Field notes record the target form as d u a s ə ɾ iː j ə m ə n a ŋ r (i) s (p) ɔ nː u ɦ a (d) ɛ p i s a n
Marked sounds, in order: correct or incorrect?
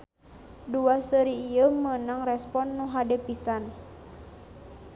incorrect, correct, correct

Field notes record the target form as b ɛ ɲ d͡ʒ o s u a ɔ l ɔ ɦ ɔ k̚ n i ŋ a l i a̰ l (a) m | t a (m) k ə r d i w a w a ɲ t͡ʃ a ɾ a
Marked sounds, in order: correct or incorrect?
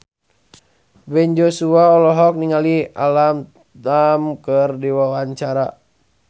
correct, correct

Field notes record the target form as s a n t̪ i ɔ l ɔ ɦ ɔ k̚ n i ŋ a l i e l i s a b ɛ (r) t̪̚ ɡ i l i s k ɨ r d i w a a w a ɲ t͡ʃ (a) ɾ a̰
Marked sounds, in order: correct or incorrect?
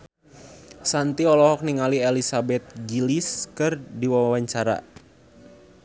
incorrect, correct

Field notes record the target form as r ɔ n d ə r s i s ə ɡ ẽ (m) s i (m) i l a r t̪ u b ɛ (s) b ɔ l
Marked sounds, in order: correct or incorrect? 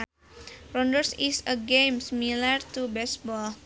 correct, correct, correct

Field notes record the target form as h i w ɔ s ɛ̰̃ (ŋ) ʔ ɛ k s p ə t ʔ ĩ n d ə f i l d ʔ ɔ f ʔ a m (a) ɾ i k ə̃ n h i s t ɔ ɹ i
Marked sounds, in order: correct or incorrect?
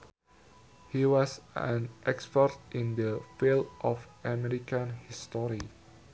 incorrect, incorrect

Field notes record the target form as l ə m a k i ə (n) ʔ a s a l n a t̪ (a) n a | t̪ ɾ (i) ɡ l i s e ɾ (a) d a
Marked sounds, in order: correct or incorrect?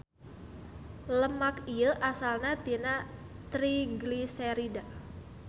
incorrect, incorrect, correct, incorrect

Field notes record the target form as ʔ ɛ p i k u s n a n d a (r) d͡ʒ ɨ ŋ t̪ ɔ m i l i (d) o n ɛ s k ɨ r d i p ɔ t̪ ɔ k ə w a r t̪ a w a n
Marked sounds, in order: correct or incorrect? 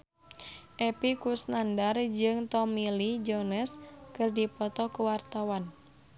correct, incorrect

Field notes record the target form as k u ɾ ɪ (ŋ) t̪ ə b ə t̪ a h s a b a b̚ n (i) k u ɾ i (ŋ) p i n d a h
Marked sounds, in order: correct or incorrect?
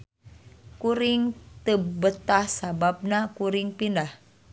correct, incorrect, correct

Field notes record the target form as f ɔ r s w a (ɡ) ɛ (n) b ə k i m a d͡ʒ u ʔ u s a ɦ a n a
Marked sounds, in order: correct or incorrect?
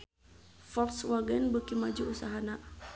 correct, correct

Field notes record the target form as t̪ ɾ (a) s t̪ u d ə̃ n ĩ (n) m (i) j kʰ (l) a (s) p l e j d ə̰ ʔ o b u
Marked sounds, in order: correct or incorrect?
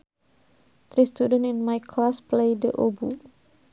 incorrect, correct, incorrect, correct, correct

